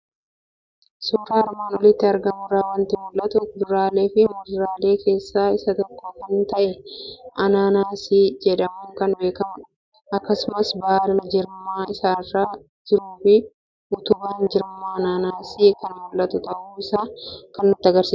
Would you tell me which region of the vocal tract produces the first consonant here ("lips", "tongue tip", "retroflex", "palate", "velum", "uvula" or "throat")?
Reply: tongue tip